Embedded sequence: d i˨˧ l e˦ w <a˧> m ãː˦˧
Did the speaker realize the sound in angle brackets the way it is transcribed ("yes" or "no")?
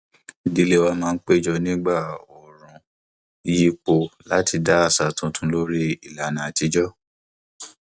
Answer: yes